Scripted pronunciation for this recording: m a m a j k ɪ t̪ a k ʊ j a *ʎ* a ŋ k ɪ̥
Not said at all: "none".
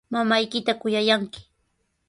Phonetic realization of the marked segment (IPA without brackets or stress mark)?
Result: j